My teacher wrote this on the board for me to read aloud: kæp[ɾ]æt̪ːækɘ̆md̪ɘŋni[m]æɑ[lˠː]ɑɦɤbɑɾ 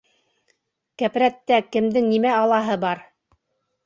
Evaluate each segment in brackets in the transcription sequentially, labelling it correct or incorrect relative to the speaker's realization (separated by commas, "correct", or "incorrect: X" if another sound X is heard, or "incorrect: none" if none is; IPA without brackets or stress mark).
correct, correct, incorrect: lˠ